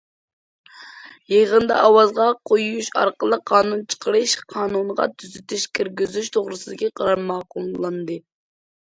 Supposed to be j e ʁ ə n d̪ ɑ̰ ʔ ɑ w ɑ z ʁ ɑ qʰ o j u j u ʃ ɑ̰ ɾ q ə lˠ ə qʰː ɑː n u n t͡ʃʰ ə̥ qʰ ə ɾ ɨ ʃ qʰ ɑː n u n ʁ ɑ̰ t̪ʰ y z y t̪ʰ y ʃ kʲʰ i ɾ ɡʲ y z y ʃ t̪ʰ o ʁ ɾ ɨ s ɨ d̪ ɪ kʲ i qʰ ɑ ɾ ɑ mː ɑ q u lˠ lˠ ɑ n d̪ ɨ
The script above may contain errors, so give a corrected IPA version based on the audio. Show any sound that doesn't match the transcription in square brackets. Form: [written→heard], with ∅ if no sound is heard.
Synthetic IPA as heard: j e ʁ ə n d̪ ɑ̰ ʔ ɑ w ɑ z ʁ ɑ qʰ o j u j u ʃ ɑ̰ ɾ q ə lˠ ə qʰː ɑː n u n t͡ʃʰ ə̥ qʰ ə ɾ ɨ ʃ qʰ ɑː n u n ʁ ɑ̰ t̪ʰ y z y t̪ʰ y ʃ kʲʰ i ɾ ɡʲ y z y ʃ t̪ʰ o ʁ ɾ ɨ s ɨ d̪ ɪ kʲ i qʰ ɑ ɾ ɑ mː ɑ q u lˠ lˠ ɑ n d̪ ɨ